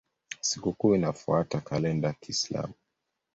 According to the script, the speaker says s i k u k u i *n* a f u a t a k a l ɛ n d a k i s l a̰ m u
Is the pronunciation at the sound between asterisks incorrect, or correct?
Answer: correct